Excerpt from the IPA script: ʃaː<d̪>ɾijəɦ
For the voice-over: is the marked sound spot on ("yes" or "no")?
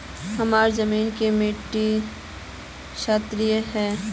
no